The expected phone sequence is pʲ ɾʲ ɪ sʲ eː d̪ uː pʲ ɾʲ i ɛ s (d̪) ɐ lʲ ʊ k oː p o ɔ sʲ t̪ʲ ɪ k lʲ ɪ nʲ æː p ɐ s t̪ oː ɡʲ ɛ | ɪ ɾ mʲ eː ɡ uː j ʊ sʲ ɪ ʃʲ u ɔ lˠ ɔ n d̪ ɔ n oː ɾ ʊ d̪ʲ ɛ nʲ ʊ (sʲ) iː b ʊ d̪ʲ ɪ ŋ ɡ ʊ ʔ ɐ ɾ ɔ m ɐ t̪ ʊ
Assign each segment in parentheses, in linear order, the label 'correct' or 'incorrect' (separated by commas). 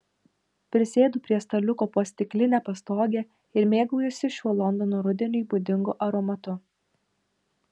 incorrect, incorrect